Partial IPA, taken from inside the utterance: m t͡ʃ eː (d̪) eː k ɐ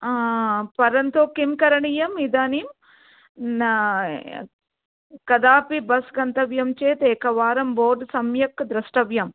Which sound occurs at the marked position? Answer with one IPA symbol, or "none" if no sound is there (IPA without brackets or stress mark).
t̪